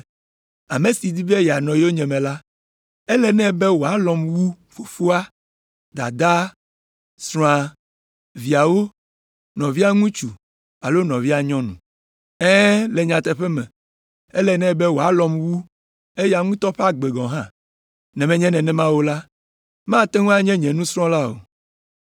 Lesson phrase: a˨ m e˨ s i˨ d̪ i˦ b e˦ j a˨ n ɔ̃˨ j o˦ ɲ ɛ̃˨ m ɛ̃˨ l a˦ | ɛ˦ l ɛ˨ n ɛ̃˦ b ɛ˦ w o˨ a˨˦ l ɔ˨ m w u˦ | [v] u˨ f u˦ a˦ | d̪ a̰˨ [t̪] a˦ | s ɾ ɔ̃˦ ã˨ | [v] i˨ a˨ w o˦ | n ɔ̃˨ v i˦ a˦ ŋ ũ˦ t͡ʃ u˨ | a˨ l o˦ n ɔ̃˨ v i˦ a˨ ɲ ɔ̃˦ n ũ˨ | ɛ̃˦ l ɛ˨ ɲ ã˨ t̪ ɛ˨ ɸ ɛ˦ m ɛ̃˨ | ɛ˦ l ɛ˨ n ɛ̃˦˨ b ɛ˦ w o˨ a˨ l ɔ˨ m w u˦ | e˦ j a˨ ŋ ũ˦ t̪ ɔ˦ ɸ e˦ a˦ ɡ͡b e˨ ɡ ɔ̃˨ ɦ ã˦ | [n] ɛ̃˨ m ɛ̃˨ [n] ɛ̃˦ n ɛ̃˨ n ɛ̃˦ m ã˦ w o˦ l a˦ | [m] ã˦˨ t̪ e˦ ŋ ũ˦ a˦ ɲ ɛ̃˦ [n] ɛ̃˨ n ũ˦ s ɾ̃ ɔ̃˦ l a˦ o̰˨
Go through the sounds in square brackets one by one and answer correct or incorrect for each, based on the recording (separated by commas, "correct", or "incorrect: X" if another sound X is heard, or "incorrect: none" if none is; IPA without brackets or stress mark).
incorrect: f, incorrect: d̪, correct, correct, incorrect: ɲ, correct, incorrect: ɲ